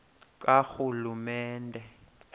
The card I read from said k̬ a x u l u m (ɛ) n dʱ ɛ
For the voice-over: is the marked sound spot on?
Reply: no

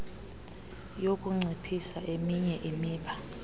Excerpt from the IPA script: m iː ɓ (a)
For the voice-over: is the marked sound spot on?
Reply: yes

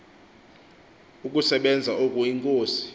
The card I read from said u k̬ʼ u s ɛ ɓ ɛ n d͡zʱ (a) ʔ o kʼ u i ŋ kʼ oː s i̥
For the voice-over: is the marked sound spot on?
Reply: yes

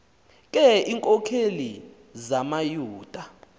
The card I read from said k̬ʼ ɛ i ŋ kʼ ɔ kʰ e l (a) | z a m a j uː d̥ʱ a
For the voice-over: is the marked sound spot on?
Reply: no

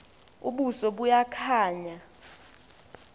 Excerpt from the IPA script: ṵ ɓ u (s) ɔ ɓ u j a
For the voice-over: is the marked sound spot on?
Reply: yes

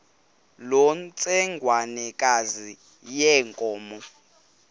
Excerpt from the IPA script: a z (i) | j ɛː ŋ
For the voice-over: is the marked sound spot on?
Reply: yes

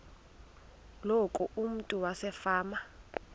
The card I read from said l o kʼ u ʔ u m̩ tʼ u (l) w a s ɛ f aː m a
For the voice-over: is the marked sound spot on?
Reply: no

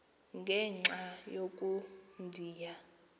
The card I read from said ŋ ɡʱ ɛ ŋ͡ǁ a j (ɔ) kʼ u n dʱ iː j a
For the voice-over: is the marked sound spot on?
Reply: no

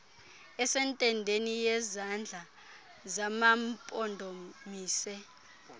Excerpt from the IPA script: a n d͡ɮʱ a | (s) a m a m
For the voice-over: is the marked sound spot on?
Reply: no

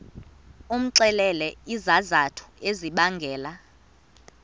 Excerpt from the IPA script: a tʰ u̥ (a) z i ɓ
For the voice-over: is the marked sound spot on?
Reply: no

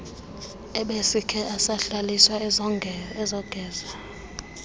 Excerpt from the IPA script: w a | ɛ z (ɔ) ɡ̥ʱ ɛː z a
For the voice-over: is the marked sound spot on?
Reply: yes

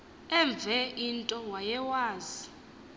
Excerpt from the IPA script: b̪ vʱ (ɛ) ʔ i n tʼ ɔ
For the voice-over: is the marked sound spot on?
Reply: yes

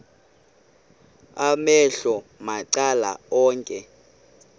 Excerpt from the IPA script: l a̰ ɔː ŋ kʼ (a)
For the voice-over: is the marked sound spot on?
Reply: no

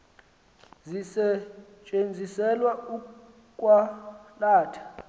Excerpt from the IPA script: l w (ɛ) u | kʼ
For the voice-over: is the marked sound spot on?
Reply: no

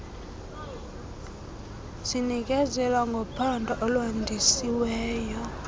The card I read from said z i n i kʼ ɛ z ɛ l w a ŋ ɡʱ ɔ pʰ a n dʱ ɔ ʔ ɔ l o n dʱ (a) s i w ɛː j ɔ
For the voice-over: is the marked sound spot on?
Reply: no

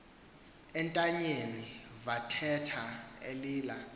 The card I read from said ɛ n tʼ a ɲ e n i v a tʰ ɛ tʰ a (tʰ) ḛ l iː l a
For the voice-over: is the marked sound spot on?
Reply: no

